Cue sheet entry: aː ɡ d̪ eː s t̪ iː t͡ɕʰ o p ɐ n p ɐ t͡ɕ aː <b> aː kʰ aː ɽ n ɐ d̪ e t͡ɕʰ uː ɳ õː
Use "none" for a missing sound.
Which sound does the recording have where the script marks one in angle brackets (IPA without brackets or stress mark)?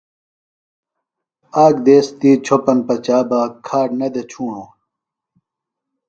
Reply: b